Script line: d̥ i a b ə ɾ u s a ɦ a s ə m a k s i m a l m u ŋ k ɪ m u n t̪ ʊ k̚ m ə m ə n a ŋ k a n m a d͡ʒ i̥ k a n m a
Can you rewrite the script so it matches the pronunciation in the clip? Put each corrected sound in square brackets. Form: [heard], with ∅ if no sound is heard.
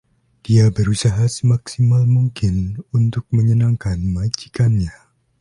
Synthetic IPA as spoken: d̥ i a b ə ɾ u s a ɦ a s ə m a k s i m a l m u ŋ k ɪ [n] u n t̪ ʊ k̚ m ə [ɲ] ə n a ŋ k a n m a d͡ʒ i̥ k a n [ɲ] a